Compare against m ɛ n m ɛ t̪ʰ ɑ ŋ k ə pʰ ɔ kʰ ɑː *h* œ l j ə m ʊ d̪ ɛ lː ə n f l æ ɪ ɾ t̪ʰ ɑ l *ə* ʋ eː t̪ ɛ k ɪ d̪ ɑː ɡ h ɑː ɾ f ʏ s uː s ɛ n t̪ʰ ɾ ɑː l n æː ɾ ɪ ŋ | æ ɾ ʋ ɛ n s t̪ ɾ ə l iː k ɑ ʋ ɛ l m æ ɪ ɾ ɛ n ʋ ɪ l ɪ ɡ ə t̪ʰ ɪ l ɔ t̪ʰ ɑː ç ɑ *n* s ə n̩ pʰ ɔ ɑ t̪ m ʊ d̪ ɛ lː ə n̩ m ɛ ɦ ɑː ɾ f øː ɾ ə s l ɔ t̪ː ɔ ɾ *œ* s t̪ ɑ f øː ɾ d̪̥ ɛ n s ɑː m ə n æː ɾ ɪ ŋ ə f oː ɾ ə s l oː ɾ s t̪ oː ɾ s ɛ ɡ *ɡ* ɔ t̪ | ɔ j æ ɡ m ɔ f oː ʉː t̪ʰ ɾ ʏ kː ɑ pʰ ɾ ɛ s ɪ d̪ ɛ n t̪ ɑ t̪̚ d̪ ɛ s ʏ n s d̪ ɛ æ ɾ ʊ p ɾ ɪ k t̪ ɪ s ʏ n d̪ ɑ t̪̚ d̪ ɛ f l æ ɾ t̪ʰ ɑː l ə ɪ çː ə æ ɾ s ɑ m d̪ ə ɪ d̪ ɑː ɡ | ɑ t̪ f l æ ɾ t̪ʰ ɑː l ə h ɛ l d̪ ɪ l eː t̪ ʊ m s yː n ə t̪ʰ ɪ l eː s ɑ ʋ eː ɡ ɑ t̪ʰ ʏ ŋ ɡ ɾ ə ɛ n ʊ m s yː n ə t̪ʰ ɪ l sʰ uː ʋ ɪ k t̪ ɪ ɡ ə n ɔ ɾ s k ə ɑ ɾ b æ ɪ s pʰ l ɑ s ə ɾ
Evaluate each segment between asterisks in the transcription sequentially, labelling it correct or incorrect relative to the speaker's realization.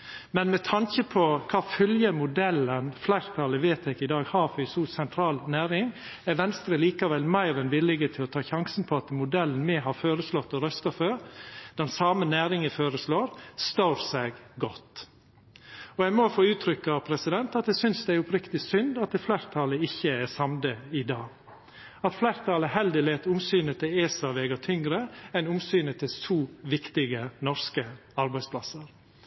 incorrect: f, correct, incorrect: ŋ, correct, correct

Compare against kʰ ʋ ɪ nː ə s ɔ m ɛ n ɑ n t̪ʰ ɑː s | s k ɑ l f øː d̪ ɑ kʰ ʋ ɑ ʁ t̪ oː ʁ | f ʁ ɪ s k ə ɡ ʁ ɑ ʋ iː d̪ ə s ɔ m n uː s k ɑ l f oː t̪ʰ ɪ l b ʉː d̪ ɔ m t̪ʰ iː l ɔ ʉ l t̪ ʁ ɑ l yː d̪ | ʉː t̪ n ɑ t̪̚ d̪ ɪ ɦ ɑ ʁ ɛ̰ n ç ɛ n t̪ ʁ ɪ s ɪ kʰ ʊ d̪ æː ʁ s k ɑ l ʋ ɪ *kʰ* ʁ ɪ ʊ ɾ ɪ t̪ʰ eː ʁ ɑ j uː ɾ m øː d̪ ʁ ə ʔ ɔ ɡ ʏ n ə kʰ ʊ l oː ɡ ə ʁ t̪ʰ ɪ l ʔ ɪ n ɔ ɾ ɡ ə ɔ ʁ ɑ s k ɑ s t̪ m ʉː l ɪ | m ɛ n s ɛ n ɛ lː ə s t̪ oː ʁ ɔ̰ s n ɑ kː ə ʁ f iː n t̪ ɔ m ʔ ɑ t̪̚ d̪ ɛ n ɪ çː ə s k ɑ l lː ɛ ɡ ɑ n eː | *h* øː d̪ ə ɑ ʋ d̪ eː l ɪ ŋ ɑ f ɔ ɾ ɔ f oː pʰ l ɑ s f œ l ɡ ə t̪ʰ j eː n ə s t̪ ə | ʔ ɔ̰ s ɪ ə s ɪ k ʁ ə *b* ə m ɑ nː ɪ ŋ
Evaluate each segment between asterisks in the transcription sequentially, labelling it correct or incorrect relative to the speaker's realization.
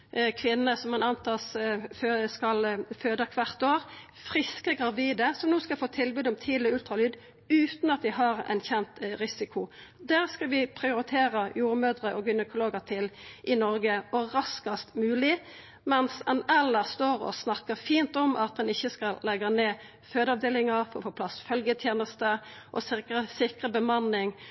incorrect: pʰ, incorrect: f, correct

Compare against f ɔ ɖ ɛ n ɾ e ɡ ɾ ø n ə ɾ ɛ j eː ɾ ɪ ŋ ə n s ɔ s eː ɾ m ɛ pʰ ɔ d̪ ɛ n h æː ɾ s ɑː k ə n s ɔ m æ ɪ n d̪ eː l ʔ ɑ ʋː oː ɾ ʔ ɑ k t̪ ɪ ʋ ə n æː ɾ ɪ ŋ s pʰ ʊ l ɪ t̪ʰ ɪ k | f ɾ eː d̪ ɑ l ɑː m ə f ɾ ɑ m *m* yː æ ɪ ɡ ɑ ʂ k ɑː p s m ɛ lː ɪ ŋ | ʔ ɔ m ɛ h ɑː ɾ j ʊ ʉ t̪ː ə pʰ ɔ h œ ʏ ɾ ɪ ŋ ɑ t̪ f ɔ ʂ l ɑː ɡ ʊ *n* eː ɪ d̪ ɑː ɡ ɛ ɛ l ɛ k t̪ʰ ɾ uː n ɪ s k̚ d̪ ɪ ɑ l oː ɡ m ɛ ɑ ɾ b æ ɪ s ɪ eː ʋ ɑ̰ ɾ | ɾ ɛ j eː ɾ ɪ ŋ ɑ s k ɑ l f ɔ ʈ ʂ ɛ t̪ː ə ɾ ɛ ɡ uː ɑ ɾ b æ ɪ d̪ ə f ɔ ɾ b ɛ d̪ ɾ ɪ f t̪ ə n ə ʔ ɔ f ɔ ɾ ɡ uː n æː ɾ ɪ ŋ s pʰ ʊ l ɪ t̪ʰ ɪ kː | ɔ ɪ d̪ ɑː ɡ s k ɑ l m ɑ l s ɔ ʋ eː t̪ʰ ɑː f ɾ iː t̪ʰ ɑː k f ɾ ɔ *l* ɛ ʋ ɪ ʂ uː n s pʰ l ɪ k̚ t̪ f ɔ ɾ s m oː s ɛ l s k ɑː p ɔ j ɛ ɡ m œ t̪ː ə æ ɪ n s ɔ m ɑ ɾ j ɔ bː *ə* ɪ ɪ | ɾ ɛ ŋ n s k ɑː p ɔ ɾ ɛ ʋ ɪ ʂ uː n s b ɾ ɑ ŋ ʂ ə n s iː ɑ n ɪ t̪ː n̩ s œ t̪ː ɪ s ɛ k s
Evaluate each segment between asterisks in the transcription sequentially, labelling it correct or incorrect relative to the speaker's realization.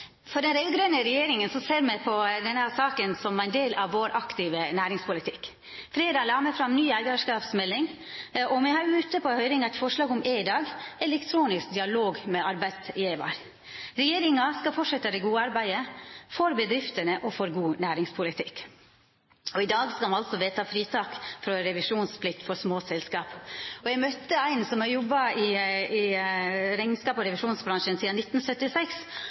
incorrect: n, incorrect: m, incorrect: ɾ, incorrect: ɑ

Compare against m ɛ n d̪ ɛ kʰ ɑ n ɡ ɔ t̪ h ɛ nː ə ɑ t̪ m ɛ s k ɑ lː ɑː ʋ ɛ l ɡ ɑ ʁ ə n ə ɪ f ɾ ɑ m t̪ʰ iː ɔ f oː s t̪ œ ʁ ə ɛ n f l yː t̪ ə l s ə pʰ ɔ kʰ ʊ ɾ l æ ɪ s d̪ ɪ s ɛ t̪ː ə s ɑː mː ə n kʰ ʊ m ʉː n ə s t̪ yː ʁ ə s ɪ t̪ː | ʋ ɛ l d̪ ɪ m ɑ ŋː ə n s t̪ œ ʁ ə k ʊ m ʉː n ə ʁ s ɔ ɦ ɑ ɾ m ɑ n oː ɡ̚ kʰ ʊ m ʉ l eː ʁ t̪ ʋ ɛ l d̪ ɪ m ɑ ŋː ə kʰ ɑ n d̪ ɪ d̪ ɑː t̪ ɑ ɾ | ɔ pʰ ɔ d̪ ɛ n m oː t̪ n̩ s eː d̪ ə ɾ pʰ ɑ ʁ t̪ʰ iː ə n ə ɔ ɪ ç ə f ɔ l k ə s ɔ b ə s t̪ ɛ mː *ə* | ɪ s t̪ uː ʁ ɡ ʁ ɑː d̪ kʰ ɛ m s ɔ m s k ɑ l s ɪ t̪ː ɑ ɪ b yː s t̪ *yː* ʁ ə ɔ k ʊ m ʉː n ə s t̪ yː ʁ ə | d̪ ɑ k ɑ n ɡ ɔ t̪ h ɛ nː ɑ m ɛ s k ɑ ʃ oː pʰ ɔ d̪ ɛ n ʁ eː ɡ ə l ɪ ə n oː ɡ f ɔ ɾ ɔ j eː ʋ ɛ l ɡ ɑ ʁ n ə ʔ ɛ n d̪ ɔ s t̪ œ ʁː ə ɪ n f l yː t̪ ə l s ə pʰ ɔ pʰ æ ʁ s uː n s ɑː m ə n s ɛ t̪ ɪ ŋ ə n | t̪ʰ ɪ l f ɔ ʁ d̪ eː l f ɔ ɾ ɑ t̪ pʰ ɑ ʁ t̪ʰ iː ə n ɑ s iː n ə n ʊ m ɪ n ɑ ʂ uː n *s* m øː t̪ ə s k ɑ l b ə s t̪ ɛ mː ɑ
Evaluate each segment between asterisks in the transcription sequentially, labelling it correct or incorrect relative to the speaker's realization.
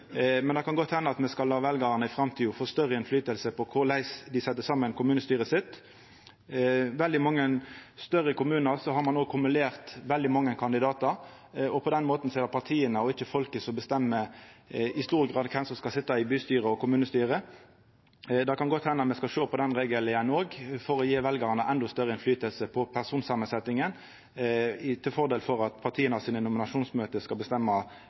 correct, correct, correct

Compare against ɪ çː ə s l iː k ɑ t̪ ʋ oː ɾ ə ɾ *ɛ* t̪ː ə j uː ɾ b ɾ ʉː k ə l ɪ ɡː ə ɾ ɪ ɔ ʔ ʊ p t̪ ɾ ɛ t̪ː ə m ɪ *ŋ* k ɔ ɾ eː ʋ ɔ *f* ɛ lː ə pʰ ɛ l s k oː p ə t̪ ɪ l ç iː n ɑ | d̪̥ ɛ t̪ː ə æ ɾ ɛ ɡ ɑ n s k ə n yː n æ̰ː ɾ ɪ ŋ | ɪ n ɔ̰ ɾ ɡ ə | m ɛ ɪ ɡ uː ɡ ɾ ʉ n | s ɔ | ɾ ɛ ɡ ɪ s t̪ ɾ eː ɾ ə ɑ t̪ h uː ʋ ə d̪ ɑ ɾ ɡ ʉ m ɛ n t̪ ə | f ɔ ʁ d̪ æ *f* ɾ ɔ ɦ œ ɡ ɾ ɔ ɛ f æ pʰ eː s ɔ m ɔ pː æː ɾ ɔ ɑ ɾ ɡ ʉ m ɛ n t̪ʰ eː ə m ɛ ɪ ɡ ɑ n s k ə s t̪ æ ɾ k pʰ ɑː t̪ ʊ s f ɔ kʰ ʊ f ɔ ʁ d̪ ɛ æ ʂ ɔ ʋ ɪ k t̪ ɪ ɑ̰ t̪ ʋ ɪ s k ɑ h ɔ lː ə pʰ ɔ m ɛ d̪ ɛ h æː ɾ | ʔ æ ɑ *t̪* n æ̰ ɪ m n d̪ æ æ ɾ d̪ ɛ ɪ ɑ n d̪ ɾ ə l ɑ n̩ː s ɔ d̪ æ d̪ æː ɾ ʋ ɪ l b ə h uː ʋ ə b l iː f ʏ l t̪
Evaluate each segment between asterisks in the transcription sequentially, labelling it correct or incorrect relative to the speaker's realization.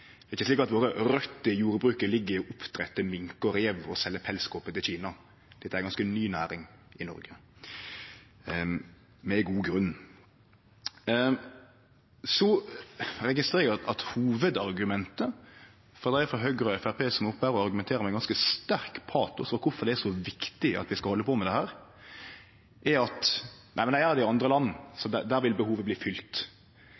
incorrect: œ, correct, incorrect: s, correct, correct

